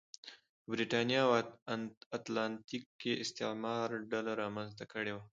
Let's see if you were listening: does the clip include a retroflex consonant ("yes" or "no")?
yes